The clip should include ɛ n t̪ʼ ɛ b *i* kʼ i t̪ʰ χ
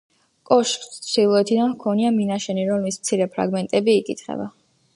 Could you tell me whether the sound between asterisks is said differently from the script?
yes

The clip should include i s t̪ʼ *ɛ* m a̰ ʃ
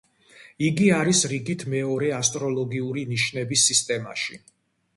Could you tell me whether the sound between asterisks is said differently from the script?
no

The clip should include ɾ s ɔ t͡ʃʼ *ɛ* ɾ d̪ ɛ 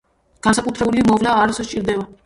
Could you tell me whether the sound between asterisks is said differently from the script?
yes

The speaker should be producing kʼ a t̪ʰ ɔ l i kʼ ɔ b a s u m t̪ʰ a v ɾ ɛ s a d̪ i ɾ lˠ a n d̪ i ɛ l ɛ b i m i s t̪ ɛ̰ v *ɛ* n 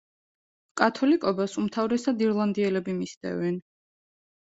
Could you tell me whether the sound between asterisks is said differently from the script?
no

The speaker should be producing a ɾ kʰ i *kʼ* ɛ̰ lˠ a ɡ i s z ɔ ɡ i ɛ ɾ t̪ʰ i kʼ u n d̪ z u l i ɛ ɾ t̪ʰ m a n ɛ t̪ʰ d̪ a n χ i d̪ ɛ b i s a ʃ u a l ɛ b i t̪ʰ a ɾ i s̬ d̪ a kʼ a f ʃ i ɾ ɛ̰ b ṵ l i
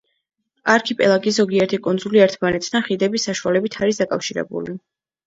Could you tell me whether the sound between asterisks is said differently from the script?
yes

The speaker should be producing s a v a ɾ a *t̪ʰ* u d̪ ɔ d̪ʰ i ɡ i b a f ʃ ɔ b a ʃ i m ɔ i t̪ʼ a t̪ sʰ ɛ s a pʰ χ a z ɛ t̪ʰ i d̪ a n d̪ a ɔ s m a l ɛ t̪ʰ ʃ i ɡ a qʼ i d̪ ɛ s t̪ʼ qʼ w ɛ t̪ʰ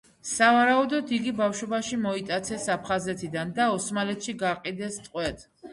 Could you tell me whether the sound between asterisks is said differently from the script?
yes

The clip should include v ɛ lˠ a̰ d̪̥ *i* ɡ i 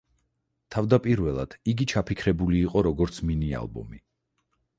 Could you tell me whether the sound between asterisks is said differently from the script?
no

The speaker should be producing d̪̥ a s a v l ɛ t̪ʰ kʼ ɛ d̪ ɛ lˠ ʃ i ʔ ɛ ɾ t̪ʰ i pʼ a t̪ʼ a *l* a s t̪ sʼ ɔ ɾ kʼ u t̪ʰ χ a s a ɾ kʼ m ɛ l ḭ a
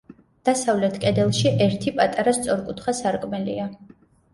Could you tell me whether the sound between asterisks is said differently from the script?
yes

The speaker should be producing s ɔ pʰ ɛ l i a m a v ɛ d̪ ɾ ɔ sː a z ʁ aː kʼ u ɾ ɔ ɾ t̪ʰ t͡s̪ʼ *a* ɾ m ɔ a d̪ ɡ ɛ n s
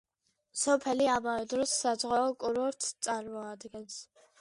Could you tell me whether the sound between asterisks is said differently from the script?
no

